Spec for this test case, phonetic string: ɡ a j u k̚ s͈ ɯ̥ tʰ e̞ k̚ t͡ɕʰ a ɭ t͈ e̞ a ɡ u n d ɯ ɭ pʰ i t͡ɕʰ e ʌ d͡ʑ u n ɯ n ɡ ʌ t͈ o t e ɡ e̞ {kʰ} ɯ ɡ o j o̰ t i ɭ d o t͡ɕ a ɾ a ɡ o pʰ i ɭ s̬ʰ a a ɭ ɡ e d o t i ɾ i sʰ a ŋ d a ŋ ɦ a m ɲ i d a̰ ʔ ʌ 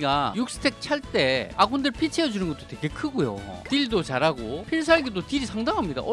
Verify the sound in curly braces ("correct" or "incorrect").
correct